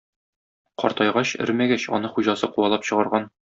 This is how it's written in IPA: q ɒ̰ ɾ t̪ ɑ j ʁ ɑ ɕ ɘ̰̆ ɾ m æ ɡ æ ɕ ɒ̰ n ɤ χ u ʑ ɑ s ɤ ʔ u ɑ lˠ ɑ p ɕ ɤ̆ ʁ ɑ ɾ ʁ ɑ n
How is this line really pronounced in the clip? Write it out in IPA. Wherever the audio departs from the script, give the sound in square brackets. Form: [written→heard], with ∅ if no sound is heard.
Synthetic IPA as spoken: q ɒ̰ ɾ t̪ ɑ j ʁ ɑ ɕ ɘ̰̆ ɾ m æ ɡ æ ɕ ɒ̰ n ɤ χ u ʑ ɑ s ɤ [ʔ→q] u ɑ lˠ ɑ p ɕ ɤ̆ ʁ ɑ ɾ ʁ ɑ n